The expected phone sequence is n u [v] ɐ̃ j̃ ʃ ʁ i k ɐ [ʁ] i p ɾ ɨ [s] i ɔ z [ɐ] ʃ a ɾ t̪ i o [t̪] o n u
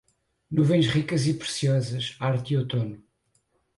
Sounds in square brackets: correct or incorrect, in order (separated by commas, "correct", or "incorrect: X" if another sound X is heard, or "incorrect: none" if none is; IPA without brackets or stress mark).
correct, incorrect: z, correct, correct, correct